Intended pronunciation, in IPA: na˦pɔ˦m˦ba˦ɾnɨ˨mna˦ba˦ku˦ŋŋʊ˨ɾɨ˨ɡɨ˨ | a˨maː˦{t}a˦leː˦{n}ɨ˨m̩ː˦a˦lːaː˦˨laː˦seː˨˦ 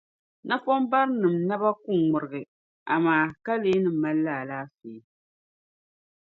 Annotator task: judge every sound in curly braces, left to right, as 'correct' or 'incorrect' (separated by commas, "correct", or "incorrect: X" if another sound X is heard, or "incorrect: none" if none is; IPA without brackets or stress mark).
incorrect: k, correct